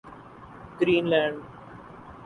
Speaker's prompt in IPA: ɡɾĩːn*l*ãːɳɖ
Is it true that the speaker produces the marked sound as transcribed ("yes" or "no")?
yes